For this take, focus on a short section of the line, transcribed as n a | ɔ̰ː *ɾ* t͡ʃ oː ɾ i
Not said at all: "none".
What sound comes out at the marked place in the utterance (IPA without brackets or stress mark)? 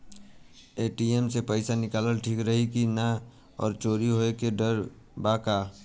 ɾ